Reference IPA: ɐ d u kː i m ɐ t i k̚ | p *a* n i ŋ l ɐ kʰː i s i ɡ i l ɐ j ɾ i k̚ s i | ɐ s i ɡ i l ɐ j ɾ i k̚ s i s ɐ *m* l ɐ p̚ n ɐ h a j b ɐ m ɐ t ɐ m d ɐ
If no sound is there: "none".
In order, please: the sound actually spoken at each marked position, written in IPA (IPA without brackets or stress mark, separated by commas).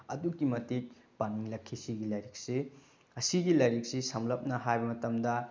a, m